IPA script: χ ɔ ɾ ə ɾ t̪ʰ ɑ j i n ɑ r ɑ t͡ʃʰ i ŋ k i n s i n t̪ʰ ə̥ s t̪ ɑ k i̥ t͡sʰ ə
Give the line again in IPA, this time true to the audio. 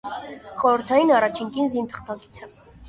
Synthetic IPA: χ ɔ ɾ ə ɾ t̪ʰ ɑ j i n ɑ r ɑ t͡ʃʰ i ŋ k i n z i n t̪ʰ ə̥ χ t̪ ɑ k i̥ t͡sʰ ə